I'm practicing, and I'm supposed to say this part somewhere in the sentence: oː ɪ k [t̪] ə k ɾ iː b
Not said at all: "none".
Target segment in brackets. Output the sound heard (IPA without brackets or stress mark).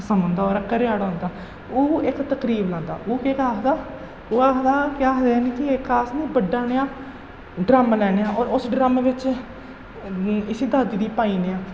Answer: t̪